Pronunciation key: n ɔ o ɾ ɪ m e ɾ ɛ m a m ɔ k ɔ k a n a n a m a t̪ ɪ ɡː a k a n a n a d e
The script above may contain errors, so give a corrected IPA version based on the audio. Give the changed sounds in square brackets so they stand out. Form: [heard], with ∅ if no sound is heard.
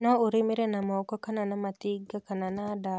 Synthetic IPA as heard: n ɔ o ɾ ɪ m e ɾ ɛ [n] a m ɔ k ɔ k a n a n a m a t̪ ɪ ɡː a k a n a n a d [a]